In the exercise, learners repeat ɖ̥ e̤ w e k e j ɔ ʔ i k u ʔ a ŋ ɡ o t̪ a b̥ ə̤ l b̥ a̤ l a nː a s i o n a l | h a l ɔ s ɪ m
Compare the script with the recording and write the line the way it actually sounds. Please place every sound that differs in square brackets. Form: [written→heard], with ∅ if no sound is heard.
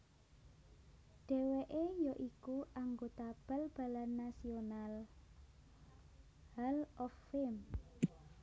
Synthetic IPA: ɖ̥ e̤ w e [k→ʔ] e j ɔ ʔ i k u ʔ a ŋ ɡ o t̪ a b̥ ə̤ l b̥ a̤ l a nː a s i o n a l | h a l ɔ [s→f] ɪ m